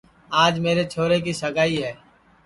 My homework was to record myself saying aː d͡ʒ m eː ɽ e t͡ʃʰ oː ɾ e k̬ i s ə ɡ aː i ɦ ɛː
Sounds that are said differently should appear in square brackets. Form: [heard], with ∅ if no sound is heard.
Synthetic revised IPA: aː d͡ʒ m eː [ɾ] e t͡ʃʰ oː ɾ e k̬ i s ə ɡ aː i ɦ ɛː